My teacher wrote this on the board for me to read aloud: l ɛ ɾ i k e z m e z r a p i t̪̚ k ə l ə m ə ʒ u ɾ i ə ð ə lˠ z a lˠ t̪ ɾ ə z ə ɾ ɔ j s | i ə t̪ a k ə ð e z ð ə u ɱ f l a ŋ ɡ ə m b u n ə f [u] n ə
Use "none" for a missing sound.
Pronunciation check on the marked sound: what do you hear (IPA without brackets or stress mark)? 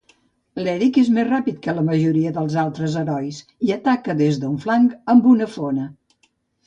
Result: o